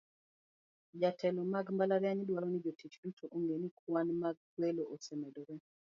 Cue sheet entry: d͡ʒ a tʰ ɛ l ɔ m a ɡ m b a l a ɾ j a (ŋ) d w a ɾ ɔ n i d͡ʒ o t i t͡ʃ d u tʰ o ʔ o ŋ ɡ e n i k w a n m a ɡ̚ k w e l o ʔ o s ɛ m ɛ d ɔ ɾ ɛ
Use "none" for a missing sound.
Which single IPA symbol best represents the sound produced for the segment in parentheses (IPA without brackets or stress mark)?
ɲ